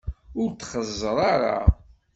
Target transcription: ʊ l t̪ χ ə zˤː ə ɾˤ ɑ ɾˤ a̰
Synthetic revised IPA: ʊ ɾ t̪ χ ə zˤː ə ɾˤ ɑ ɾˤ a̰